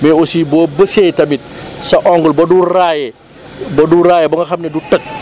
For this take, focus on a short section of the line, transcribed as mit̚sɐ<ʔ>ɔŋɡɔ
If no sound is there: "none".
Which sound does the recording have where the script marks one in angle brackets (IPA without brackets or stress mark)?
ʔ